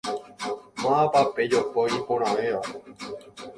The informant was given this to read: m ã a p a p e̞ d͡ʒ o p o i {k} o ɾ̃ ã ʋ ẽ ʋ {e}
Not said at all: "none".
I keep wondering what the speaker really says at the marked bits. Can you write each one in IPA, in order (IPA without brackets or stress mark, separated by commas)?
p, a